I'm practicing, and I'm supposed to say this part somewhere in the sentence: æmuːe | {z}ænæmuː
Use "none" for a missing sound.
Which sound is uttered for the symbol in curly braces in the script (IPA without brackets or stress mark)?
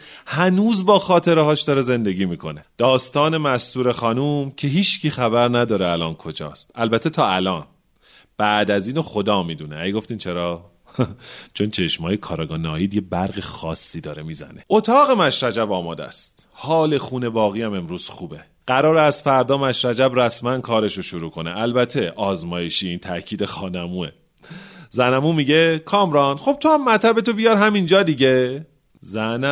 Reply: z